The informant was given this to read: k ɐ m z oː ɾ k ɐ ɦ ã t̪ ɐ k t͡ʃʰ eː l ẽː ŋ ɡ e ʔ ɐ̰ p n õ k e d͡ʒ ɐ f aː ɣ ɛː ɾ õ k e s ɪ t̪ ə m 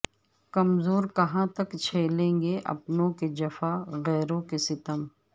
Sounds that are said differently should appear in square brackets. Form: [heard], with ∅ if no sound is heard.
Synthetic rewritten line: k ɐ m z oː ɾ k ɐ ɦ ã t̪ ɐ k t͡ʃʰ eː l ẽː ŋ ɡ e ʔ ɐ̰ p n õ k e d͡ʒ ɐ f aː ɣ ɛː ɾ õ k e s ɪ t̪ ə m

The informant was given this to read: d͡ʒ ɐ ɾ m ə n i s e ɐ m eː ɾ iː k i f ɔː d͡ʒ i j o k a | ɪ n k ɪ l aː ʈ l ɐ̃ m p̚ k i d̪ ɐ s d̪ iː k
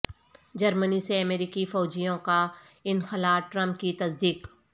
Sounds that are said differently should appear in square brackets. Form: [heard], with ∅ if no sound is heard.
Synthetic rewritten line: d͡ʒ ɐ ɾ m ə n i s e ɐ m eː ɾ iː k i f ɔː d͡ʒ i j [õ] k a | ɪ n [x] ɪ l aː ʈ [ɾ] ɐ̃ m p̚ k i [t̪] ɐ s d̪ iː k

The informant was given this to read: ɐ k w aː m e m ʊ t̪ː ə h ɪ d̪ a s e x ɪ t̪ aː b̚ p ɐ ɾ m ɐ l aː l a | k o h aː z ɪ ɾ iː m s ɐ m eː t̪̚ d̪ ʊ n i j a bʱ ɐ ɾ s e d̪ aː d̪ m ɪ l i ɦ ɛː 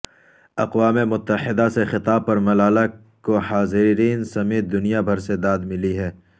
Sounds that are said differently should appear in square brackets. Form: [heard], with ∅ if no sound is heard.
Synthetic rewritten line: ɐ [q] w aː m e m ʊ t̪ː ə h ɪ d̪ a s e x ɪ t̪ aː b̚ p ɐ ɾ m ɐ l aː l a | k o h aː z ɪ ɾ iː [n] s ɐ m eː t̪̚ d̪ ʊ n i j a bʱ ɐ ɾ s e d̪ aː d̪ m ɪ l i ɦ ɛː

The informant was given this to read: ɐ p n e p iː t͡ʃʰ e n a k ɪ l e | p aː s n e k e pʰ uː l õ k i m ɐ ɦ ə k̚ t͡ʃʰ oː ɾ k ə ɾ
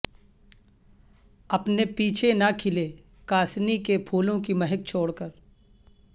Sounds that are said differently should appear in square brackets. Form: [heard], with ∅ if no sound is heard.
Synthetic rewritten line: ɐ p n e p iː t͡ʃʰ e n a [kʰ] ɪ l e | [k] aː s n [i] k e pʰ uː l õ k i m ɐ ɦ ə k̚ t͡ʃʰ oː [ɽ] k ə ɾ

